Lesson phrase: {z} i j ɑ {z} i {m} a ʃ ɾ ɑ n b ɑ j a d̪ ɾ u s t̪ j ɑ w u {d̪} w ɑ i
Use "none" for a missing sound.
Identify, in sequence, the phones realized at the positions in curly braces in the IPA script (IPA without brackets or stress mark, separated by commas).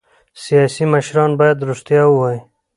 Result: s, s, m, none